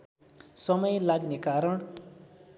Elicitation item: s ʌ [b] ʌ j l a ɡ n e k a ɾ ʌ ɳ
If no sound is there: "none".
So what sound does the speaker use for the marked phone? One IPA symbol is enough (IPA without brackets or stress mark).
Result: m